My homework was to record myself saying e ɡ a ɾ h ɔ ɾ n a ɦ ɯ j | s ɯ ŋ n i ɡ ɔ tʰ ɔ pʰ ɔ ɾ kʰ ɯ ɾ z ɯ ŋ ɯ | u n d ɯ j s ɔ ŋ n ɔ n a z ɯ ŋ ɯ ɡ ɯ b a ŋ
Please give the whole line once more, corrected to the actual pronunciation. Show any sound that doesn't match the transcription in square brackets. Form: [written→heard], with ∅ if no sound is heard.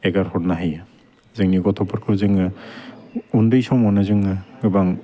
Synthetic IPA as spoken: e ɡ a ɾ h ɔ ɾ n a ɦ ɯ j | [s→z] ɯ ŋ n i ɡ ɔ tʰ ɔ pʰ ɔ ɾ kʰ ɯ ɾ z ɯ ŋ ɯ | u n d ɯ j s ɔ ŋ [n→m] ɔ n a z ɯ ŋ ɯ ɡ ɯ b a ŋ

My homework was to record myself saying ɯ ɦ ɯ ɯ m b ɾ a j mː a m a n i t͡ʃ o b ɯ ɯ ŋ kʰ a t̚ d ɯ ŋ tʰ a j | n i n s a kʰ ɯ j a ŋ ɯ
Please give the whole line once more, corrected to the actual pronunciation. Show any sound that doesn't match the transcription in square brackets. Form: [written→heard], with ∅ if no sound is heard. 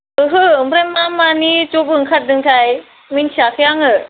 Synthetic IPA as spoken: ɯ ɦ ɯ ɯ m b ɾ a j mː a m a n i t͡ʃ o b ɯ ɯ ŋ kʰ a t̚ d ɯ ŋ tʰ a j | [n→m] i n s a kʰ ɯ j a ŋ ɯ

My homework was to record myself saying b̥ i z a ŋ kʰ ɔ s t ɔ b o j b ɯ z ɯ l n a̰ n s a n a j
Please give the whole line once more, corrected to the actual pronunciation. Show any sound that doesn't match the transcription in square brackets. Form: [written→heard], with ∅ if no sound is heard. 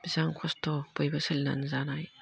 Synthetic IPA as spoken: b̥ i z a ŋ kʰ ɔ s t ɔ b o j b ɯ [z→s] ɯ l n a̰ n [s→z] a n a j

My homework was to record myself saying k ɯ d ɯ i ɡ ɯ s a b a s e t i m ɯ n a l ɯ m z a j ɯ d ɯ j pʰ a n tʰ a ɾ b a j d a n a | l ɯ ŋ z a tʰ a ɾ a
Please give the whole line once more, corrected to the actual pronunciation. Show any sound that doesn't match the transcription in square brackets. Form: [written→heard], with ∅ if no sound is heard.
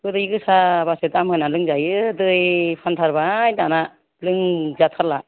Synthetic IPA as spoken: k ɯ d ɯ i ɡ ɯ s a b a s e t [i→a] m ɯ n a l ɯ [m→ŋ] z a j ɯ d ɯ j pʰ a n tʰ a ɾ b a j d a n a | l ɯ ŋ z a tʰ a [ɾ→l] a

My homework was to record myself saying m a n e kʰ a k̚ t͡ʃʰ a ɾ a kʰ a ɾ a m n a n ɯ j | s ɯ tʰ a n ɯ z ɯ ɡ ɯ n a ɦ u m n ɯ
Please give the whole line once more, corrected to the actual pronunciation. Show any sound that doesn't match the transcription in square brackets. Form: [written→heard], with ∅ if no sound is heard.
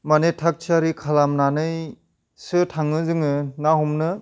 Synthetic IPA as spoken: m a n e [kʰ→tʰ] a k̚ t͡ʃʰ a ɾ [a→i] kʰ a [ɾ→l] a m n a n ɯ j | s ɯ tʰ a [n→ŋ] ɯ z ɯ [ɡ→ŋ] ɯ n a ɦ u m n ɯ

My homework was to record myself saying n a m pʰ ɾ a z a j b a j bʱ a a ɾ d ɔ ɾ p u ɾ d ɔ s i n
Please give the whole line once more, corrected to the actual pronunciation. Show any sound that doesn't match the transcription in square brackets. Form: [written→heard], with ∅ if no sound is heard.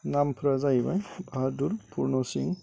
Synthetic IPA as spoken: n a m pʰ ɾ a z a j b a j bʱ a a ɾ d [ɔ→u] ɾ p u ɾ [d→n] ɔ s i [n→ŋ]

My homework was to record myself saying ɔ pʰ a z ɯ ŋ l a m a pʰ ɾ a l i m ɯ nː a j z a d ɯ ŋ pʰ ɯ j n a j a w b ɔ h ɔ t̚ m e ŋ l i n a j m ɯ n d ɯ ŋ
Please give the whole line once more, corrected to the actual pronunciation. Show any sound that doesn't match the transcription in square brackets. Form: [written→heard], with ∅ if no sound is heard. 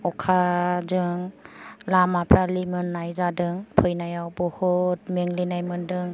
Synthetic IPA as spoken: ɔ [pʰ→kʰ] a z ɯ ŋ l a m a pʰ ɾ a l i m ɯ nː a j z a d ɯ ŋ pʰ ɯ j n a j a w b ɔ h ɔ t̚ m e ŋ l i n a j m ɯ n d ɯ ŋ

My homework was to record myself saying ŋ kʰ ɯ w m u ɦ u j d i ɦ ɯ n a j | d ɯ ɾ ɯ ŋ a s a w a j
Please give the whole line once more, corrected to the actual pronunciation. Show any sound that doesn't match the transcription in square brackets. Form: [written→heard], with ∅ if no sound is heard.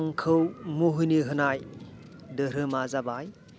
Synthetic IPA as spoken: ŋ kʰ ɯ w m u ɦ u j [d→n] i ɦ ɯ n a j | d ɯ ɾ ɯ [ŋ→m] a [s→z] a [w→b] a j

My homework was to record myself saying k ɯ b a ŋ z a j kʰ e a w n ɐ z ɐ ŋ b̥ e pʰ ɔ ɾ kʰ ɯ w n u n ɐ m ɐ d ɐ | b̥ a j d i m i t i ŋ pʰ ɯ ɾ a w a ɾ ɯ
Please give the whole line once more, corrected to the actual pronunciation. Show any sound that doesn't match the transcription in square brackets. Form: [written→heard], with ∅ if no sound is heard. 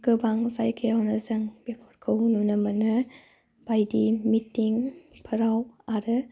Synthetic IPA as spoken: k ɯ b a ŋ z a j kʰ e a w n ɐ z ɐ ŋ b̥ e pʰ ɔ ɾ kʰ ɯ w n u n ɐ m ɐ [d→n] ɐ | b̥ a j d i m i t i ŋ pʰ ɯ ɾ a w a ɾ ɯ

